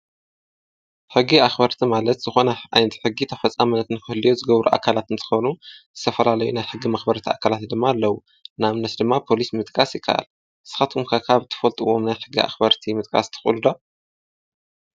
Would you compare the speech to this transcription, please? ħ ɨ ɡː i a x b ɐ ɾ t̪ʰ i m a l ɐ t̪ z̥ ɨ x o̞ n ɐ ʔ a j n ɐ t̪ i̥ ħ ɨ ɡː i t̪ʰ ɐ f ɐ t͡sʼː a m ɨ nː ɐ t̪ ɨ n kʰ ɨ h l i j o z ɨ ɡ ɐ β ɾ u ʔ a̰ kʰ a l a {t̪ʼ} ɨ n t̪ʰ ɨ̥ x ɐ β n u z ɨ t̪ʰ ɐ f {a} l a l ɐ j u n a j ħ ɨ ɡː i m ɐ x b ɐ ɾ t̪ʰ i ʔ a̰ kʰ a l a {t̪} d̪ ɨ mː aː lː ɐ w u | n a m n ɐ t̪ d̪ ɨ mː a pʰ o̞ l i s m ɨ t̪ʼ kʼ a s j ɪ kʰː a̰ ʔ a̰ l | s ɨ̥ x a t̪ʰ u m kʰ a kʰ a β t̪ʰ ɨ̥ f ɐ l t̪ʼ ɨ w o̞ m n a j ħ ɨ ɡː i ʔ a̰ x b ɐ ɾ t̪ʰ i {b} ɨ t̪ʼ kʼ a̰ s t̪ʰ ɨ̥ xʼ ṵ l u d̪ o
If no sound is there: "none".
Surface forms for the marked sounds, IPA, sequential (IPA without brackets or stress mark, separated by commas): t̪, ɐ, t̪, m